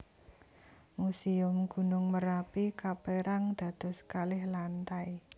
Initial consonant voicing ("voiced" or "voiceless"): voiced